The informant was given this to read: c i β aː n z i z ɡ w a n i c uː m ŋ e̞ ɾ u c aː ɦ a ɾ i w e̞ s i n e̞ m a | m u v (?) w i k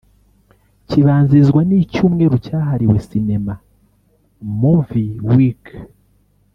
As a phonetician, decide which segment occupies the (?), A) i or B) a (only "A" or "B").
A